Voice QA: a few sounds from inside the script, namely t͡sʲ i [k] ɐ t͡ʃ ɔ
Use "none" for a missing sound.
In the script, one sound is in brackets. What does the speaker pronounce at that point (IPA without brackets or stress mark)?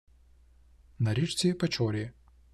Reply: p